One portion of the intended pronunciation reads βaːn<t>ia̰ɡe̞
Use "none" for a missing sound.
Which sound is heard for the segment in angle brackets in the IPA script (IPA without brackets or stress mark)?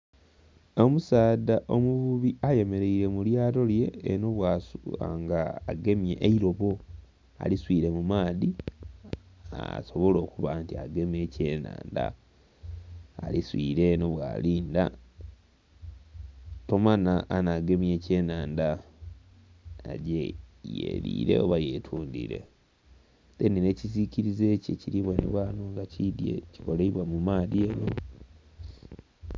t